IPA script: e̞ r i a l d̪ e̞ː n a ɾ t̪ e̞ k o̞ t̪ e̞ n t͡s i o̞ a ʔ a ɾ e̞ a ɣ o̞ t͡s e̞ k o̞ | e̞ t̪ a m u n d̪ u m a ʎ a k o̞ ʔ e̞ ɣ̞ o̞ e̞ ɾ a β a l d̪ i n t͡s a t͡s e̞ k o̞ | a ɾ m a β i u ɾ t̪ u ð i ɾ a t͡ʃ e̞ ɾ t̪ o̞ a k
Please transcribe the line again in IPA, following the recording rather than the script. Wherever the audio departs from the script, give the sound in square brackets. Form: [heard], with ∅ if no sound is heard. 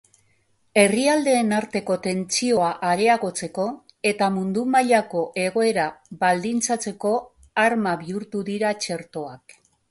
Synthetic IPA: e̞ r i a l d̪ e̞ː n a ɾ t̪ e̞ k o̞ t̪ e̞ n t͡s i o̞ a ʔ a ɾ e̞ a ɣ o̞ t͡s e̞ k o̞ | e̞ t̪ a m u n d̪ u m a ʎ a k o̞ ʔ e̞ ɣ̞ o̞ e̞ ɾ a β a l d̪ i n t͡s a t͡s e̞ k o̞ | a ɾ m a β i u ɾ t̪ u ð i ɾ a t͡ʃ e̞ ɾ t̪ o̞ a k